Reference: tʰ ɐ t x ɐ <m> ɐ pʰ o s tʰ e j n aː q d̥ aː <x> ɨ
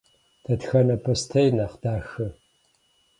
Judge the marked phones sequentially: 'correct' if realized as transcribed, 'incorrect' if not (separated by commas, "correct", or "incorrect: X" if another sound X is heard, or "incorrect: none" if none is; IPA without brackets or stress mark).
incorrect: n, correct